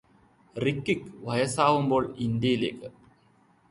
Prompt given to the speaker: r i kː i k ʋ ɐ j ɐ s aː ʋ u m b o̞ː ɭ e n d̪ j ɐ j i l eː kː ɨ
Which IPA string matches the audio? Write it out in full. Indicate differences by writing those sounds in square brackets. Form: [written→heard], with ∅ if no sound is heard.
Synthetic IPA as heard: r i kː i k ʋ ɐ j ɐ s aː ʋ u m b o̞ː ɭ [e→i] n d̪ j ɐ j i l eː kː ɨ